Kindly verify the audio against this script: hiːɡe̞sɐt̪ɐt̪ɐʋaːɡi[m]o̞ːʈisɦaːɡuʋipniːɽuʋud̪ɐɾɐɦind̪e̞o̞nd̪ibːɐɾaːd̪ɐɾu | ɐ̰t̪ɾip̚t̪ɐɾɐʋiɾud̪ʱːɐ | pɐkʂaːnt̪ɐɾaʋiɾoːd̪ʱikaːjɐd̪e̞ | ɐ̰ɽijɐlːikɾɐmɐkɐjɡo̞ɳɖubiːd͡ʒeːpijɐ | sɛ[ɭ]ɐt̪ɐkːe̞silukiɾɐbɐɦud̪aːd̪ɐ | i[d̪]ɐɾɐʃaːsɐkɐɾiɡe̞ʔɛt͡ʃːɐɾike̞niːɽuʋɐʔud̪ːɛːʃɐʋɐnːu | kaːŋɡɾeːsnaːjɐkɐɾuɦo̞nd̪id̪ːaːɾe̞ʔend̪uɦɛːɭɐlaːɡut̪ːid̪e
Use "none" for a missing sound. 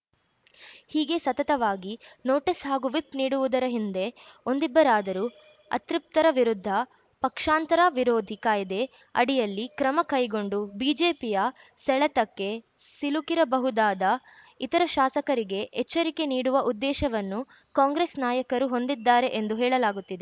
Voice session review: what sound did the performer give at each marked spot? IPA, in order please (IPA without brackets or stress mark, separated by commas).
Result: n, ɭ, t̪